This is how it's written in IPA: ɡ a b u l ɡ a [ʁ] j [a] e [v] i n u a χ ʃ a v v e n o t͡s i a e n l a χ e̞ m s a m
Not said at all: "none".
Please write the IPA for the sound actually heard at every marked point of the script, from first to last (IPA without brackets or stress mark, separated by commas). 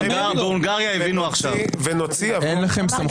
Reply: ʁ, a, v